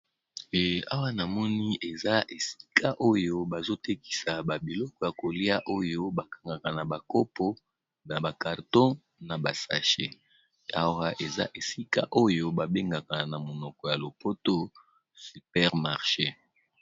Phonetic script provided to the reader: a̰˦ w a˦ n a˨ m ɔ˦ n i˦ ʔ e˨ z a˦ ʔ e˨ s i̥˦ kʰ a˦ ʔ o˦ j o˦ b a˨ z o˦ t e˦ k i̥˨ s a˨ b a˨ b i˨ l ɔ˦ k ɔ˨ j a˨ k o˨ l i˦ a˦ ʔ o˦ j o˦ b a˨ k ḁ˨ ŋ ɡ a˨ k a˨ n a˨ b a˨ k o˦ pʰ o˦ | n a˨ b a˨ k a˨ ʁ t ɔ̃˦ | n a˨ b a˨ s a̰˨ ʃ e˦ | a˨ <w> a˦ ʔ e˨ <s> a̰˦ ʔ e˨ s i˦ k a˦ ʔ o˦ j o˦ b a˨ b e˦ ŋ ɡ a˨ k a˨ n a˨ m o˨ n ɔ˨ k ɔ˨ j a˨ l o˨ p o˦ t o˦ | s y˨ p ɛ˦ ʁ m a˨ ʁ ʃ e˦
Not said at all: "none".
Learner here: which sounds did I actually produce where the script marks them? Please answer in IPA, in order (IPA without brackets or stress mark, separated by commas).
w, z